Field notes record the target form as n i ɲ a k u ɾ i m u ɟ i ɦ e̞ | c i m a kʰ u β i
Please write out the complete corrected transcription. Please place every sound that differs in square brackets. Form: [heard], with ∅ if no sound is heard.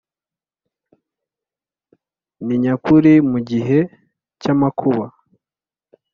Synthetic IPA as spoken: n i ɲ a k u ɾ i m u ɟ i ɦ e̞ | c [a] m a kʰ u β [a]